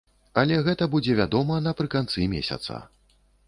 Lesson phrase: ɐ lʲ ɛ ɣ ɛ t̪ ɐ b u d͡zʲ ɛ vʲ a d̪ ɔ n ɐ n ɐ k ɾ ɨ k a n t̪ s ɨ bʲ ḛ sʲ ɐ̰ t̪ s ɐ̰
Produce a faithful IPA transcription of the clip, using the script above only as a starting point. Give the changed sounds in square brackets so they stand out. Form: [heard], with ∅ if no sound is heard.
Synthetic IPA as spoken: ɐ lʲ ɛ ɣ ɛ t̪ ɐ b u d͡zʲ ɛ vʲ a d̪ ɔ [m] ɐ n ɐ [p] ɾ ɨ k a n t̪ s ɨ [mʲ] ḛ sʲ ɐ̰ t̪ s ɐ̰